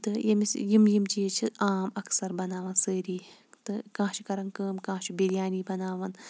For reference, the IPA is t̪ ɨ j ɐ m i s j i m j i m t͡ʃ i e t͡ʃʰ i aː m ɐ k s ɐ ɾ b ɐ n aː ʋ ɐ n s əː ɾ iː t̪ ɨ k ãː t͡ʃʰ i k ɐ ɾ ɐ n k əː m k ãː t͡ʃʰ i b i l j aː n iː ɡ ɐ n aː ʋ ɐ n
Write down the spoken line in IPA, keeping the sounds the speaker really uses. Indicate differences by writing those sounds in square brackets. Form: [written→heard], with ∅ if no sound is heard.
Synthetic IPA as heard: t̪ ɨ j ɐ m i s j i m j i m t͡ʃ i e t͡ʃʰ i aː m ɐ k s ɐ ɾ b ɐ n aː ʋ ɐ n s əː ɾ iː t̪ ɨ k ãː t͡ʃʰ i k ɐ ɾ ɐ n k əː m k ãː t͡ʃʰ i b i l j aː n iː [ɡ→b] ɐ n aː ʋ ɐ n